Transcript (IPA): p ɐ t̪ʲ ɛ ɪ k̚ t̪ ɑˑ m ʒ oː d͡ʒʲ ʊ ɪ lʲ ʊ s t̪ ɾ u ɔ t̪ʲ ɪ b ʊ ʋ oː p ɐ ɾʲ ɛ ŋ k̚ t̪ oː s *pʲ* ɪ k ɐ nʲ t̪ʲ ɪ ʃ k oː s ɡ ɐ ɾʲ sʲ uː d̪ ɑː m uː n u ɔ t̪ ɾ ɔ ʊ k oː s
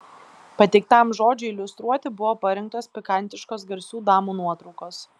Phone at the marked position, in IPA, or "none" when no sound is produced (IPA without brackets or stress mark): pʲ